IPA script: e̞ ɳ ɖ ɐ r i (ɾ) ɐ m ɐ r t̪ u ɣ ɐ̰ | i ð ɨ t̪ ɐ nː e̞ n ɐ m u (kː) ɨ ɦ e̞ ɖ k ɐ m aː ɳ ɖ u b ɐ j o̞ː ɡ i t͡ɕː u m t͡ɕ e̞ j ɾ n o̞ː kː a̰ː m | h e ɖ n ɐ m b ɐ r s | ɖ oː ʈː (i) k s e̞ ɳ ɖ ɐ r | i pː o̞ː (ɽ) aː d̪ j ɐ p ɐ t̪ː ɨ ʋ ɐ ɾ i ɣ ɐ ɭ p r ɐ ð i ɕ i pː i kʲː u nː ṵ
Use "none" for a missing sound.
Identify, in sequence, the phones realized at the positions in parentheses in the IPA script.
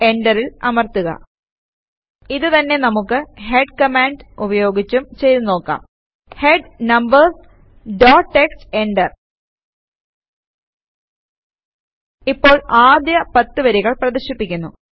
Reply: l, kː, e, ɭ

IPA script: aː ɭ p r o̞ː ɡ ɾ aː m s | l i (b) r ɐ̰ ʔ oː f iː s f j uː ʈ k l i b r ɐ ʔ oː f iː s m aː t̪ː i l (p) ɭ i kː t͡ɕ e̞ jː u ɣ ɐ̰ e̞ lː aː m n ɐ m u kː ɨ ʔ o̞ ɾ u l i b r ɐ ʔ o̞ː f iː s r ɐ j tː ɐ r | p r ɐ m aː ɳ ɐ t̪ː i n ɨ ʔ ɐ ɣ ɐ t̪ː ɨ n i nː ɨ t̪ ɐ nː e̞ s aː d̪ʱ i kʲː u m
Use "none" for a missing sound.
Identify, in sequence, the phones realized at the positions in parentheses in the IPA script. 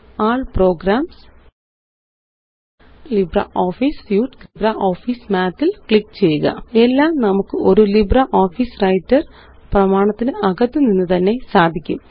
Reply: b, k

